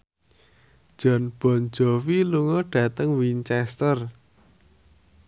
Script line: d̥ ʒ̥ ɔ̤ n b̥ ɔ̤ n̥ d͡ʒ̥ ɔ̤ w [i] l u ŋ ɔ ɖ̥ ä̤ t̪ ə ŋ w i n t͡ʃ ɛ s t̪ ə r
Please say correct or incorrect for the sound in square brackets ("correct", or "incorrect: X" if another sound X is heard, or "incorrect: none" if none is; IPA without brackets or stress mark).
correct